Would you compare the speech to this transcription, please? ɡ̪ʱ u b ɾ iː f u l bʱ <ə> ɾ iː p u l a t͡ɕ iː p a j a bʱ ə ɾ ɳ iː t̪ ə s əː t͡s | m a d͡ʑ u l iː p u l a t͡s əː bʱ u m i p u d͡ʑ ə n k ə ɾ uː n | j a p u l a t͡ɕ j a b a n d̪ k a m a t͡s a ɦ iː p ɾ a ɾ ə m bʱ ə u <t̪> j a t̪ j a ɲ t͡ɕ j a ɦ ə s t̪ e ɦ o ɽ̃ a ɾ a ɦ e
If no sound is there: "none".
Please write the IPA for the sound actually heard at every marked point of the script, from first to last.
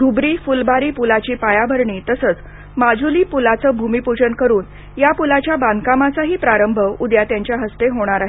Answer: a, d̪

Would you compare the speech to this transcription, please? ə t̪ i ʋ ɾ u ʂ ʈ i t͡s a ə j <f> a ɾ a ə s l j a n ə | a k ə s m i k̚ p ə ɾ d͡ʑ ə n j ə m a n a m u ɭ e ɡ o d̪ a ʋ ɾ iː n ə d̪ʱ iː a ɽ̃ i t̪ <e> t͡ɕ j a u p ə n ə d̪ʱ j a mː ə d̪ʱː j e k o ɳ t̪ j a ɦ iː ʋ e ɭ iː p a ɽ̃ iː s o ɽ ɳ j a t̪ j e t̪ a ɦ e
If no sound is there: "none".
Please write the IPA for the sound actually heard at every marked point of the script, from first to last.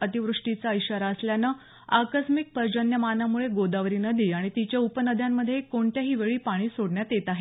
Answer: ɕ, i

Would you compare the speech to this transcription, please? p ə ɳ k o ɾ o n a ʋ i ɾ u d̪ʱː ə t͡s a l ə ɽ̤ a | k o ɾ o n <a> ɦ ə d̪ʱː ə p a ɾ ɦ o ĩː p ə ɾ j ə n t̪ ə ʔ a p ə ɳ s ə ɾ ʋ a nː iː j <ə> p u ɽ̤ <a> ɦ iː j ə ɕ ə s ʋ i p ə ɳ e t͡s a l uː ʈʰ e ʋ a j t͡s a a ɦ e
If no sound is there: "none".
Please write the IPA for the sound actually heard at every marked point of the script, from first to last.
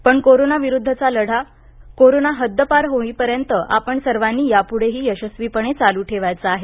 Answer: a, a, e

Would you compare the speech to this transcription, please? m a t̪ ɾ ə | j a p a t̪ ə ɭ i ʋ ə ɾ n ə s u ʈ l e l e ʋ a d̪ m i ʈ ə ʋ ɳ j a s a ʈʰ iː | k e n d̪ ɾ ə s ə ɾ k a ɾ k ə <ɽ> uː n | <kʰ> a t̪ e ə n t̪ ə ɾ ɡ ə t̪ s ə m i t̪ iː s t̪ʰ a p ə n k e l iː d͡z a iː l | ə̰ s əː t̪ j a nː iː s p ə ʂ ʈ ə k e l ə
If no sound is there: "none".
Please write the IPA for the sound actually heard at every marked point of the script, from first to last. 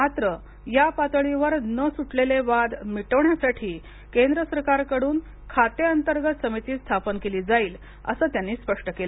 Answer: ɽ, kʰ

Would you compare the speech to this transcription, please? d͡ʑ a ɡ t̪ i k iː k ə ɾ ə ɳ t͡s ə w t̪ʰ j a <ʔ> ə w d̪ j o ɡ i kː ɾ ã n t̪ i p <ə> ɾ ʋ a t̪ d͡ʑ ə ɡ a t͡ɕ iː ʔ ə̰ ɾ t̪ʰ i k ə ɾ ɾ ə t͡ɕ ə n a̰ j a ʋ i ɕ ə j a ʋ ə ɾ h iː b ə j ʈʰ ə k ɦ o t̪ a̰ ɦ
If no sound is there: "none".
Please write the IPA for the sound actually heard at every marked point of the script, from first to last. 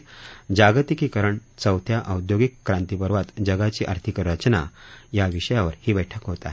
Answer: ʔ, ə

